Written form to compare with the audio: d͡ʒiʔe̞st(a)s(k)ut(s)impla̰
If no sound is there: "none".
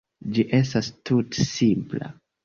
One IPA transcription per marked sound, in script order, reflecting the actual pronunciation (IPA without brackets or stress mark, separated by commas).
a, t, s